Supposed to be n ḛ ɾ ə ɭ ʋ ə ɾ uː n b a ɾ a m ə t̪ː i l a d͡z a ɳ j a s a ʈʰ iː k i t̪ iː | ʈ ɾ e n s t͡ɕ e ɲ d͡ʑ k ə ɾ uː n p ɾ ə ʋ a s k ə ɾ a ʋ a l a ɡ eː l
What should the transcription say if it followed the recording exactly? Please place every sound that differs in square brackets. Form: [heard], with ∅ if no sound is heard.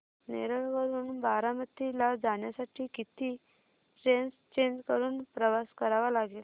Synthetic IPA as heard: n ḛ ɾ ə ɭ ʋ ə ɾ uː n b a ɾ a m ə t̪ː i l a d͡z a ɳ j a s a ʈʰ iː k i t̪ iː | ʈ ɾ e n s t͡ɕ e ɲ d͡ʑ k ə ɾ uː n p ɾ ə ʋ a s k ə ɾ a ʋ a l a ɡ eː l